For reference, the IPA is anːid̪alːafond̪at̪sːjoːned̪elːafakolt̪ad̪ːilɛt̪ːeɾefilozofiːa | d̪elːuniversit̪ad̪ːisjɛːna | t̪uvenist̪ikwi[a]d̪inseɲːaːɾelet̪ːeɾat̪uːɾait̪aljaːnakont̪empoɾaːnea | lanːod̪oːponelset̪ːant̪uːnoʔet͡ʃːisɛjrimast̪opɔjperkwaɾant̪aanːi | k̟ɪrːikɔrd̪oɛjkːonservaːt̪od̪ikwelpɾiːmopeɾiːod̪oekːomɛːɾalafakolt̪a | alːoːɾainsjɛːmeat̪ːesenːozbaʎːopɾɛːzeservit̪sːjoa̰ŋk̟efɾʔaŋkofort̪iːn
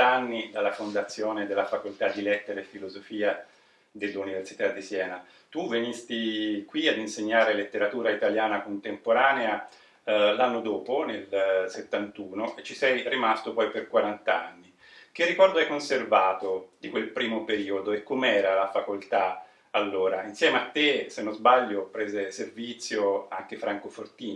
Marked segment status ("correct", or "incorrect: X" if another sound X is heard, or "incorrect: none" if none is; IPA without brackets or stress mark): correct